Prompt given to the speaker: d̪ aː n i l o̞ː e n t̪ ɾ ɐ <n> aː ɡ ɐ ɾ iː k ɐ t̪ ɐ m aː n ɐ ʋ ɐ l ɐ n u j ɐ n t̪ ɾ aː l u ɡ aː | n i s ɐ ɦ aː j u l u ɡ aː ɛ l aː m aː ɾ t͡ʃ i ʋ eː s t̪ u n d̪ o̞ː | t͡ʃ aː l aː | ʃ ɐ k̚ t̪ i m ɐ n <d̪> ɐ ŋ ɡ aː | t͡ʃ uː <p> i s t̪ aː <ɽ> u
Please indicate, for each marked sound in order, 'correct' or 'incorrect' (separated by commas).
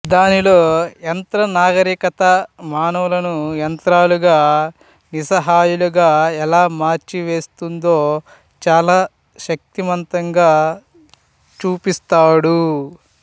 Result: correct, incorrect, correct, correct